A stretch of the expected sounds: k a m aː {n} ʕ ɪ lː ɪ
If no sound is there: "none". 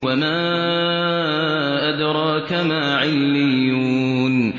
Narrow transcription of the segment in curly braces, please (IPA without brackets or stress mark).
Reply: none